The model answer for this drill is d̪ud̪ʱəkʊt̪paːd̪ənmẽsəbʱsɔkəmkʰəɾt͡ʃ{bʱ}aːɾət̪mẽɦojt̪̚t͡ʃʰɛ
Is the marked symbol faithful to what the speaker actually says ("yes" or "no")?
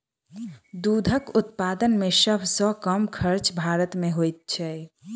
yes